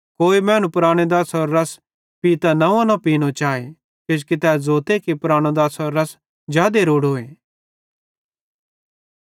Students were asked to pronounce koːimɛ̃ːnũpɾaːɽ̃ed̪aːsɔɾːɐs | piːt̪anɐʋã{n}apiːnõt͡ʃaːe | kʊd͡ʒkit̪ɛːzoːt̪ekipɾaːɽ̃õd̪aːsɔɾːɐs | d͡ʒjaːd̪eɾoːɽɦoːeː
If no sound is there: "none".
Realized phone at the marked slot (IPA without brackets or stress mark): n